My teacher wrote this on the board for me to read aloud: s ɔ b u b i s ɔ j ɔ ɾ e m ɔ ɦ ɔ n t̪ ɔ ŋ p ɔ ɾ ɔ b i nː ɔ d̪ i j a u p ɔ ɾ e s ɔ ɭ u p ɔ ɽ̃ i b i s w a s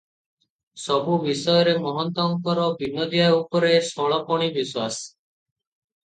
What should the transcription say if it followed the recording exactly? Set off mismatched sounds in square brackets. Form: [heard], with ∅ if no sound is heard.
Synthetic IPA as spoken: s ɔ b u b i s ɔ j ɔ ɾ e m ɔ ɦ ɔ n t̪ ɔ ŋ [k] ɔ ɾ ɔ b i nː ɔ d̪ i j a u p ɔ ɾ e s ɔ ɭ [ɔ] p ɔ ɽ̃ i b i s w a s